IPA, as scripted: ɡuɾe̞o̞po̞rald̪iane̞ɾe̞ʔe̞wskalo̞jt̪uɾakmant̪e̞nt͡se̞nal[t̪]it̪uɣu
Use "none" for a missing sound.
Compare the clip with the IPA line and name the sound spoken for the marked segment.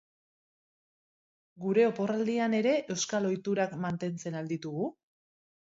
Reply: d̪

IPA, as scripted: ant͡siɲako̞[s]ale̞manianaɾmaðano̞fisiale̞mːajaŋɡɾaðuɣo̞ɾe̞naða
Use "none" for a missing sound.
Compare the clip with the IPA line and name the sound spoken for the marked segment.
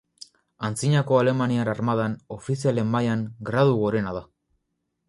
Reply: none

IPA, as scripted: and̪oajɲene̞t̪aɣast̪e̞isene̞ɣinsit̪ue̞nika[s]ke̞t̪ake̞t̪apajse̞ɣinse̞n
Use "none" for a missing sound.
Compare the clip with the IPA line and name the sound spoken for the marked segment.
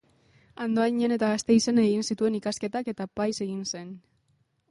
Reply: s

